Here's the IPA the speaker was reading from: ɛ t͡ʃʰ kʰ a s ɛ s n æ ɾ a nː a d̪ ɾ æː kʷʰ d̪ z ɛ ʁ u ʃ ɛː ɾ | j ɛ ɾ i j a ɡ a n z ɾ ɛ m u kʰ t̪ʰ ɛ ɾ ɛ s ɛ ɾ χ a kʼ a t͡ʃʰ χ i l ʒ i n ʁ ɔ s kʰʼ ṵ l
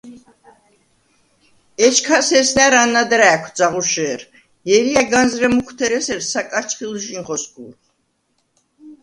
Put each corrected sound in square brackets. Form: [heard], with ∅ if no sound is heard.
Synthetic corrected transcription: ɛ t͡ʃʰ kʰ a s ɛ s n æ ɾ a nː a d̪ ɾ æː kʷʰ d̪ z [a] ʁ u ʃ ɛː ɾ | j ɛ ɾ i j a ɡ a n z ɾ ɛ m u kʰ t̪ʰ ɛ ɾ ɛ s ɛ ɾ [s] a kʼ a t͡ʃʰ χ i l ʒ i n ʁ ɔ s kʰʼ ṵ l